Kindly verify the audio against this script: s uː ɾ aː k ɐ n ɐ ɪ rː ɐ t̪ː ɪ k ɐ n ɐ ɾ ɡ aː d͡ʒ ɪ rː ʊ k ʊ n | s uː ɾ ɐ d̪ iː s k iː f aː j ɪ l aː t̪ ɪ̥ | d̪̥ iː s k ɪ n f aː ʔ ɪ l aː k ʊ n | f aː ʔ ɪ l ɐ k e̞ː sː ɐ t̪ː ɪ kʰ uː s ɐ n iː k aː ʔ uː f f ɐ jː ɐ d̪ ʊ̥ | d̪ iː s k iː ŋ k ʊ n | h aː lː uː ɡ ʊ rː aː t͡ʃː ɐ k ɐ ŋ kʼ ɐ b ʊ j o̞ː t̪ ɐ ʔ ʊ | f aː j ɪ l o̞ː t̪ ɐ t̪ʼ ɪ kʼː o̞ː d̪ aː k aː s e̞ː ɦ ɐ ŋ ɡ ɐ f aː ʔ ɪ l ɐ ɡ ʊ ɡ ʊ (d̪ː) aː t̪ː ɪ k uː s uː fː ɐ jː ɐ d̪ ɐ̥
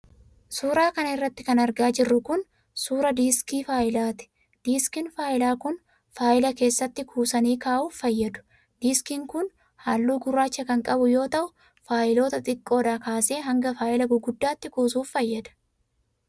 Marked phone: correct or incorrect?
correct